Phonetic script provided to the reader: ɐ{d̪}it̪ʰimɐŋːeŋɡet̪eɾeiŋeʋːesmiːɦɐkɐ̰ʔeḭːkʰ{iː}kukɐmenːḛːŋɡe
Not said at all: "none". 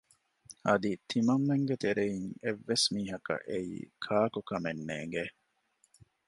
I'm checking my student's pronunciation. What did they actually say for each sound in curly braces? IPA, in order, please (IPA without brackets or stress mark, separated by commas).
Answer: d̪, aː